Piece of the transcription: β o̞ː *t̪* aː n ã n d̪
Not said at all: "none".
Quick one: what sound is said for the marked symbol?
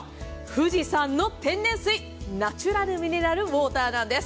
t̪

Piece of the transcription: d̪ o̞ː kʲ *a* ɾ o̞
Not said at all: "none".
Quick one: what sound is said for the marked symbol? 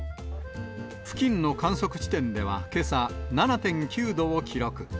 i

